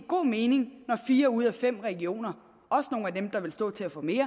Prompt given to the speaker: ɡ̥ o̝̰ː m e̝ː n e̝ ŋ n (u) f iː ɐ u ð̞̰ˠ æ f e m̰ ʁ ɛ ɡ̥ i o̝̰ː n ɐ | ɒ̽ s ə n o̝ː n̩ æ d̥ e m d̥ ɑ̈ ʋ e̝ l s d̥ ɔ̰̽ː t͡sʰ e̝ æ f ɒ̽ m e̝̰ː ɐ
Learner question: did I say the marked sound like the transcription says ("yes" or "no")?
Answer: no